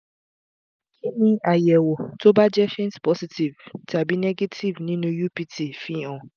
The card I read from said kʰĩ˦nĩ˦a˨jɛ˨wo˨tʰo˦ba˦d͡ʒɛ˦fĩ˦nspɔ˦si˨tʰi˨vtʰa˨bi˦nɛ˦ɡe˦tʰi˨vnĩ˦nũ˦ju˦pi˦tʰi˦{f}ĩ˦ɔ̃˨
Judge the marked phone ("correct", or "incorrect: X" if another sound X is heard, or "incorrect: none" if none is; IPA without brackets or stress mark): correct